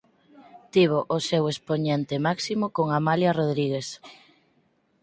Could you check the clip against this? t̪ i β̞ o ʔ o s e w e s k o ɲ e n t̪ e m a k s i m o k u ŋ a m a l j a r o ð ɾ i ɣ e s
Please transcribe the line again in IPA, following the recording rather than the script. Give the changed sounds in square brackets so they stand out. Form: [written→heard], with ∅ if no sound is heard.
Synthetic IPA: t̪ i β̞ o ʔ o s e w e s [k→p] o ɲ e n t̪ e m a k s i m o k [u→o] ŋ a m a l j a r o ð ɾ i ɣ e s